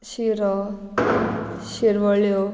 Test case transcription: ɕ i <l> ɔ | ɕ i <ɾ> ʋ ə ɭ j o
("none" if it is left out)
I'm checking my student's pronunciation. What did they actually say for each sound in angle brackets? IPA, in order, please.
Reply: ɾ, ɾ

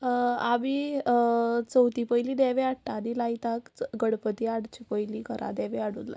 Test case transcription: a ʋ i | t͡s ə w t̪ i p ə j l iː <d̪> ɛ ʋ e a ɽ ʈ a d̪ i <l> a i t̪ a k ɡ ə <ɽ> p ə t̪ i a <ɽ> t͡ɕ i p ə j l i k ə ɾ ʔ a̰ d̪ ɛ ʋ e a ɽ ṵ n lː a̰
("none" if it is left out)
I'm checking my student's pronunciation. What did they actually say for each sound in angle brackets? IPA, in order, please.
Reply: d̪, l, ɽ, ɽ

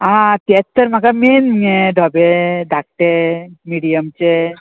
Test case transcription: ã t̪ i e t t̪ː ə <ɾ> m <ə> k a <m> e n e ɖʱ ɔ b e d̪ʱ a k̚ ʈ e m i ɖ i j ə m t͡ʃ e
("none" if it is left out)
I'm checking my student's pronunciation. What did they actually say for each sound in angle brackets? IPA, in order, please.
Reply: ɾ, a, m

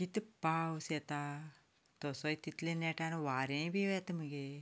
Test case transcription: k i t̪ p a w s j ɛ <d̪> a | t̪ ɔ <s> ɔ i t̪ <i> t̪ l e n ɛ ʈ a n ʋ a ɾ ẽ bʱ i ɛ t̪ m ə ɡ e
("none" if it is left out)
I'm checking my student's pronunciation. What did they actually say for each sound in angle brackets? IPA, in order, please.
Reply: t̪, s, i

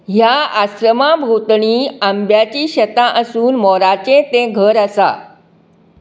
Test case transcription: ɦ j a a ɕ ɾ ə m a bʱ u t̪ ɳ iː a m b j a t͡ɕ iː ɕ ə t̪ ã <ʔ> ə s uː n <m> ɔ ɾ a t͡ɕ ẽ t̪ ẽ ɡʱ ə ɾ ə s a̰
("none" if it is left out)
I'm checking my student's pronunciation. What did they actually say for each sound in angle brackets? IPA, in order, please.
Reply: ʔ, m

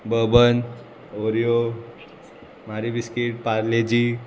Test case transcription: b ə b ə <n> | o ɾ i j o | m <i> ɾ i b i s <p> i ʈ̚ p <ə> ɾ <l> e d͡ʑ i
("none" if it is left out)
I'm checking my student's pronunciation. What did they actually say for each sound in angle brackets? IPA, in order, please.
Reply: n, a, k, a, l

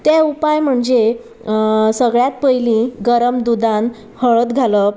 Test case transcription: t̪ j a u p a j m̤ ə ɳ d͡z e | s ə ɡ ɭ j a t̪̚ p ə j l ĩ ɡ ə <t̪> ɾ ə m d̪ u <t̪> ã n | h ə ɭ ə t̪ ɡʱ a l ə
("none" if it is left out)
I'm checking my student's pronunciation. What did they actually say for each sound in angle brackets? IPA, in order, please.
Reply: none, d̪

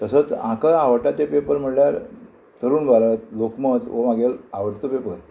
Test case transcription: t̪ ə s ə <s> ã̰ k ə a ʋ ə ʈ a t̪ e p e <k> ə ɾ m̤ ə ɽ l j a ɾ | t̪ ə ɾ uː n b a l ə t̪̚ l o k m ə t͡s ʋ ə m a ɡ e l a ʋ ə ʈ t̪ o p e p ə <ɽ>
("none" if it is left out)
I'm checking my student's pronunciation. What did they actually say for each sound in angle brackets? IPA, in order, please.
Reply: t͡s, p, ɾ

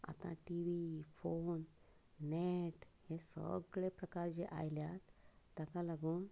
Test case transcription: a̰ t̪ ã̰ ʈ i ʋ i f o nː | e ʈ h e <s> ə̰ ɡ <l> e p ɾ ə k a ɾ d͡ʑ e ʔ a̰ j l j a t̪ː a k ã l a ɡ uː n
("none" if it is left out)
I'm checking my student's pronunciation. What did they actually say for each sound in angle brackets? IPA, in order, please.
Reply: s, ɭ

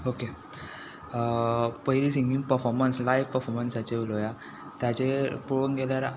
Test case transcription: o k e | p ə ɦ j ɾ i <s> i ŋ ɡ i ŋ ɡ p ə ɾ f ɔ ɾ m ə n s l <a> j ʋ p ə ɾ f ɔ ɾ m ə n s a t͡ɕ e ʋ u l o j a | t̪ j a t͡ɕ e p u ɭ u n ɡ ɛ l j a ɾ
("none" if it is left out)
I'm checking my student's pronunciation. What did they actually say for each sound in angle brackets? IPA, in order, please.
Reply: s, a

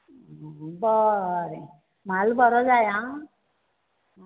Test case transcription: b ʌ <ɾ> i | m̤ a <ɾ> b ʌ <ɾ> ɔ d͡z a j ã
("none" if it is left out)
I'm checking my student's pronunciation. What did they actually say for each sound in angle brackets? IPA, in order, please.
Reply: ɾ, l, ɾ

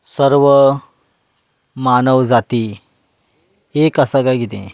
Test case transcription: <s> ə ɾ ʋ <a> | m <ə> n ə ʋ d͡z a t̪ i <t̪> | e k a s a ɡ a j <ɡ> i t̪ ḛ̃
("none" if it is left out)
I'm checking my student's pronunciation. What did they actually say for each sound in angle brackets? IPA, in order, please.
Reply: s, ə, a, none, ɡ

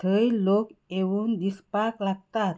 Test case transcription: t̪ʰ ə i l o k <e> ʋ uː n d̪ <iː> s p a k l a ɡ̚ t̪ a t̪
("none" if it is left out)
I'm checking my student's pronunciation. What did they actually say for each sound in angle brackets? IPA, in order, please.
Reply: e, i

